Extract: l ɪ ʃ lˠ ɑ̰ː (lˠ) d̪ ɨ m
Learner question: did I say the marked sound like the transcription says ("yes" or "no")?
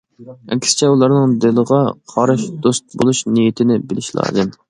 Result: no